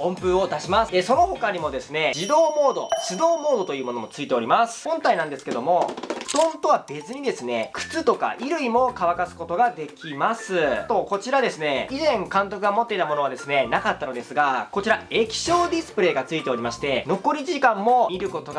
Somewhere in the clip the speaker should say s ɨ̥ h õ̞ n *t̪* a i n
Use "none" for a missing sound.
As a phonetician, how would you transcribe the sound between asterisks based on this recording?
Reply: t̪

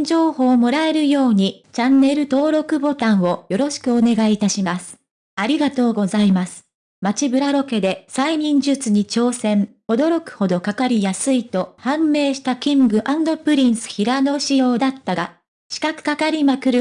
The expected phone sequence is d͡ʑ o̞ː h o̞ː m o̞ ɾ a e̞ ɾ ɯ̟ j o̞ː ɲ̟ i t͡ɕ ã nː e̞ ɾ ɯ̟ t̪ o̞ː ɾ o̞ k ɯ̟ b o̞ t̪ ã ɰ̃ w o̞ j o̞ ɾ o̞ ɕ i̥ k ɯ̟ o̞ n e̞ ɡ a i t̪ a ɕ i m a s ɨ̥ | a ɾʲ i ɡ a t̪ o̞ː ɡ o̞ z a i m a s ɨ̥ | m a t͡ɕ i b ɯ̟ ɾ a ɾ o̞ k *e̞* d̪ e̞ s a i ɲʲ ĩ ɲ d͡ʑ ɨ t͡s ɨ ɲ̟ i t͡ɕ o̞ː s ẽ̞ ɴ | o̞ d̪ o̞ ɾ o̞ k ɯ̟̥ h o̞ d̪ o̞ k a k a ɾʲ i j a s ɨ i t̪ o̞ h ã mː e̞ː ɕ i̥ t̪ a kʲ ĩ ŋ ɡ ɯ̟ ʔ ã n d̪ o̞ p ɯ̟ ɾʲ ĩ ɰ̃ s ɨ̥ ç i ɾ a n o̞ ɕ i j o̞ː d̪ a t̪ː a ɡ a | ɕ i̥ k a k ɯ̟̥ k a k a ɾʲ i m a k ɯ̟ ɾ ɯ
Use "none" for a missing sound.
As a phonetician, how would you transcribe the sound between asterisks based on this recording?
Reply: e̞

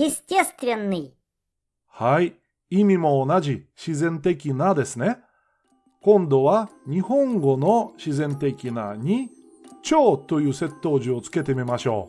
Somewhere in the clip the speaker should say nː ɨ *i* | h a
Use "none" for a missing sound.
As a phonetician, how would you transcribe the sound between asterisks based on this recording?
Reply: j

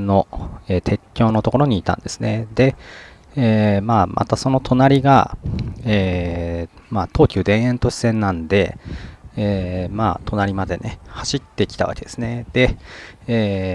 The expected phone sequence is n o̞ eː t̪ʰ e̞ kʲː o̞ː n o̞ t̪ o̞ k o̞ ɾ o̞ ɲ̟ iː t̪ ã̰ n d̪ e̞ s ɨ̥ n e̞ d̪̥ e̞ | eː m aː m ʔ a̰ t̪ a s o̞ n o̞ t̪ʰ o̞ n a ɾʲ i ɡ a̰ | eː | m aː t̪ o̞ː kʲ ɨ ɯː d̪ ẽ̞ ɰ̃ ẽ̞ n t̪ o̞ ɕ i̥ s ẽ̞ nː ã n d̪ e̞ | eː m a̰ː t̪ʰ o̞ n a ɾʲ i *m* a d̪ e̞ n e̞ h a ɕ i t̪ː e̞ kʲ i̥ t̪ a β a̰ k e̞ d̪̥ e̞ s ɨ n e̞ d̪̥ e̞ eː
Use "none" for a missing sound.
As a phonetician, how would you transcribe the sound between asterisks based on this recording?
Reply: m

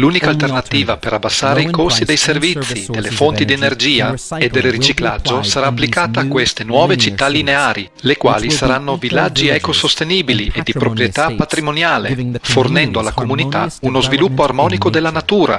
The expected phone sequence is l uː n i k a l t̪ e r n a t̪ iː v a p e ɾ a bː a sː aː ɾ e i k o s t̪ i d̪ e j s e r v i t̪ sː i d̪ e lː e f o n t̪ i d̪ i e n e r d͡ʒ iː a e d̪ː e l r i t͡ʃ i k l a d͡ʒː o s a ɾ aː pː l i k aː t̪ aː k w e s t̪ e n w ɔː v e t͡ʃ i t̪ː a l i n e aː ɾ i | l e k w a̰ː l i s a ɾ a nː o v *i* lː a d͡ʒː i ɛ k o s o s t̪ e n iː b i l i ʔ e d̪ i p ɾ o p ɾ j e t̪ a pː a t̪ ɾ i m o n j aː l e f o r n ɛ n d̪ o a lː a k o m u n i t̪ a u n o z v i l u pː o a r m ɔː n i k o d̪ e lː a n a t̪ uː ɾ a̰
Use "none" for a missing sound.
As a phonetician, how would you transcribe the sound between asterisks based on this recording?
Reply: i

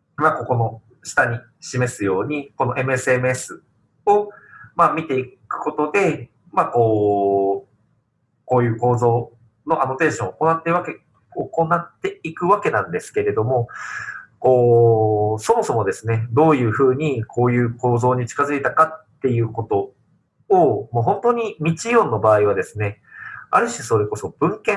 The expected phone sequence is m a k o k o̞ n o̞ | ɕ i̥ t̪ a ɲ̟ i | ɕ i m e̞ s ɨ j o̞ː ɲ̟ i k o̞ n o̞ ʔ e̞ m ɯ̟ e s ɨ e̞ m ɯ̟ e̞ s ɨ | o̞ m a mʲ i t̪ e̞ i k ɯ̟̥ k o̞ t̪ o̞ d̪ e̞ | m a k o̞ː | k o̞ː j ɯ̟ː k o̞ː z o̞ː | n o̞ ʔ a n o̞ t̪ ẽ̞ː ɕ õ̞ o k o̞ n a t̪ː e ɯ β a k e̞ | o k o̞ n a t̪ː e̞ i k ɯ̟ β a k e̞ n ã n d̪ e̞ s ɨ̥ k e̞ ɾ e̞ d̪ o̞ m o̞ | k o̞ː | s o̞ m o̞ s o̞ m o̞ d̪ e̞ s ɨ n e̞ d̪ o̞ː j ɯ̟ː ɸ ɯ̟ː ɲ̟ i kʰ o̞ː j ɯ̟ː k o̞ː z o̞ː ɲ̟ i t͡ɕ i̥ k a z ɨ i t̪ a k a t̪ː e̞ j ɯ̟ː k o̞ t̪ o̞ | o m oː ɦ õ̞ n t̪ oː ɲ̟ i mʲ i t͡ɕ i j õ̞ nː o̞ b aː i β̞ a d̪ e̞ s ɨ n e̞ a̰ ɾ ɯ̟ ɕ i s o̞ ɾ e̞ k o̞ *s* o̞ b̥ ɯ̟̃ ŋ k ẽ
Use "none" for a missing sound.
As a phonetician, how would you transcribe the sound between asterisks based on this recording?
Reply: s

